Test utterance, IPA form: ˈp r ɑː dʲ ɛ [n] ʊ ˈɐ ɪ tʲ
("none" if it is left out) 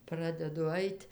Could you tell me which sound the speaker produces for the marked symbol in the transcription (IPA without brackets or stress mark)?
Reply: d